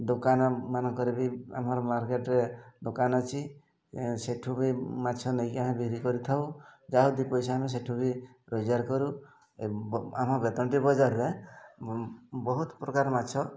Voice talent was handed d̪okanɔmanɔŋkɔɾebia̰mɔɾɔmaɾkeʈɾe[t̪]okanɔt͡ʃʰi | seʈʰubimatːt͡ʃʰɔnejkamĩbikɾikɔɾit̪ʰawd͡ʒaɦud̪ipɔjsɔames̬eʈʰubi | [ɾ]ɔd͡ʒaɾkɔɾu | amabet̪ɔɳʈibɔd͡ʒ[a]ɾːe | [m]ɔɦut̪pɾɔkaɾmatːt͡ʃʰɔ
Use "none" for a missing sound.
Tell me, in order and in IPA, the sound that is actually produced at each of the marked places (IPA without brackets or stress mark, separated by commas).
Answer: d̪, ɾ, a, b